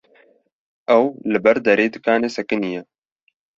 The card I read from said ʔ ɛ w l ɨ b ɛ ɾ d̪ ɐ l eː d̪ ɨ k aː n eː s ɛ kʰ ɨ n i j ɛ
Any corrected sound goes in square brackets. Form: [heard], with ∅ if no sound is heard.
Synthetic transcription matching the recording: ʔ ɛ w l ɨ b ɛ ɾ d̪ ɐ [ɾ] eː d̪ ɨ k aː n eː s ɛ [k] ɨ n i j ɛ